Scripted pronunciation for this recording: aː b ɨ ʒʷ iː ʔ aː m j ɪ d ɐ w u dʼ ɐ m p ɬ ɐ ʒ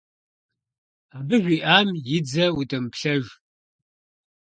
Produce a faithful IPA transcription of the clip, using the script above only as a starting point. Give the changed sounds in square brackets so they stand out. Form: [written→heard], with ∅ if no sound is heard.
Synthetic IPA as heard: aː b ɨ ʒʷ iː ʔ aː m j ɪ [d→d͡z] ɐ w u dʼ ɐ m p ɬ ɐ ʒ